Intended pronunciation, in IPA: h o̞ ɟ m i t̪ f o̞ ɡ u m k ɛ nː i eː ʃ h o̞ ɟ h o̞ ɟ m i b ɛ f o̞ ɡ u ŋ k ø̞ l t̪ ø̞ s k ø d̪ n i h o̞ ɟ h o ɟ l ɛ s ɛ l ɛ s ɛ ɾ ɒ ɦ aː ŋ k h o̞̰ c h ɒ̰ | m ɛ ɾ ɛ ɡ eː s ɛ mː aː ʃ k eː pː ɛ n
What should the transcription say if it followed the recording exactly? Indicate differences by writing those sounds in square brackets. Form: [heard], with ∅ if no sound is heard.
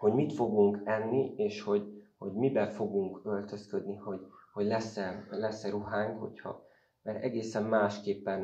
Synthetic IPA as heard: h o̞ ɟ m i t̪ f o̞ ɡ u [ŋ] k ɛ nː i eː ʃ h o̞ ɟ h o̞ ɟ m i b ɛ f o̞ ɡ u ŋ k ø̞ l t̪ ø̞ s k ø d̪ n i h o̞ ɟ h o ɟ l ɛ s ɛ l ɛ s ɛ ɾ [u] ɦ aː ŋ k h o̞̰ c h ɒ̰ | m ɛ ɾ ɛ ɡ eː s ɛ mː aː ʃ k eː pː ɛ n